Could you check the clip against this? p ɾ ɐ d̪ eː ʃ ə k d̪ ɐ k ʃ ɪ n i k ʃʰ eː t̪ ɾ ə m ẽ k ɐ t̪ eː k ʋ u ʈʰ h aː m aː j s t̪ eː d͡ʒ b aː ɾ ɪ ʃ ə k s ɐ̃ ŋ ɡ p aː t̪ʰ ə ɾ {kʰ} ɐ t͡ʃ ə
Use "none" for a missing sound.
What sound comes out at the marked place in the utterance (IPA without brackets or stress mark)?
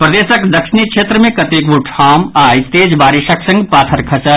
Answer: kʰ